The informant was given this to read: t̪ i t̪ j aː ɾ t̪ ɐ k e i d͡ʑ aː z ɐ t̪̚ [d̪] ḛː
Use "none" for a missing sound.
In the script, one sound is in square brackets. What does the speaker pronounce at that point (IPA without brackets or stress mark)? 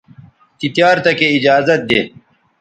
d̪